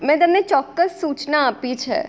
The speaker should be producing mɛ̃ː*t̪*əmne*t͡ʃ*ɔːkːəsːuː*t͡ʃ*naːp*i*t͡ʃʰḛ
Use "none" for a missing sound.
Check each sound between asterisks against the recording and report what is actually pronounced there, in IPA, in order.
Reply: t̪, t͡ʃ, t͡ʃ, i

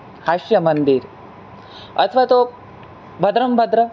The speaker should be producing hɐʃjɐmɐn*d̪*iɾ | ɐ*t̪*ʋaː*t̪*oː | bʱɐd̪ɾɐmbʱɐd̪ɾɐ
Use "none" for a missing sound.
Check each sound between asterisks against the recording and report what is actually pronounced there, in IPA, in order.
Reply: d̪, t̪ʰ, t̪

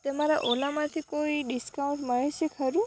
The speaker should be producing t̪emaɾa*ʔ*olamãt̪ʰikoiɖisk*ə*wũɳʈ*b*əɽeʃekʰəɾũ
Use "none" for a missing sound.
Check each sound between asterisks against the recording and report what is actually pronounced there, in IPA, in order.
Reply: ʔ, a, m

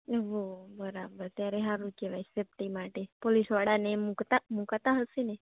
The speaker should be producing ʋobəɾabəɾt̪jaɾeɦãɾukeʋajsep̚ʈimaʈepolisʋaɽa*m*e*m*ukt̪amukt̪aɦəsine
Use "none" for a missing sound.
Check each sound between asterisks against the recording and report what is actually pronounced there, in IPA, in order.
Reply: n, m

